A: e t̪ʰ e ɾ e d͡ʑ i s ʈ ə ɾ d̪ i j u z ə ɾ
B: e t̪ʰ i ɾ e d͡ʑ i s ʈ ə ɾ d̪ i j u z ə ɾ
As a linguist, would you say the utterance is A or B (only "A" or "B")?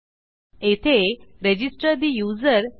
A